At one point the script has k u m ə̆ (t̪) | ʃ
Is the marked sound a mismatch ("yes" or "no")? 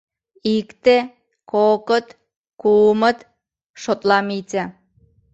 no